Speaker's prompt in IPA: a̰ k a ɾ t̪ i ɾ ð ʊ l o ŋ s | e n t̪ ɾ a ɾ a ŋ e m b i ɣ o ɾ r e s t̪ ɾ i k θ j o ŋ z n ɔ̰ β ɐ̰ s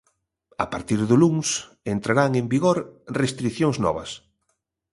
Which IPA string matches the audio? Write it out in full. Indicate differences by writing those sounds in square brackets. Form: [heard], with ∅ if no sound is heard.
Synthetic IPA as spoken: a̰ [p] a ɾ t̪ i ɾ ð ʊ l [u] ŋ s | e n t̪ ɾ a ɾ a ŋ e m b i ɣ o ɾ r e s t̪ ɾ i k θ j o ŋ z n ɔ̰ β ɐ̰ s